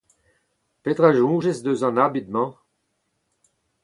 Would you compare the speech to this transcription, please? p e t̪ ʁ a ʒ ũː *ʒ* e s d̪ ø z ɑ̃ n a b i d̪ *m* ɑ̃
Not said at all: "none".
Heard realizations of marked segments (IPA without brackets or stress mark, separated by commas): ʒ, m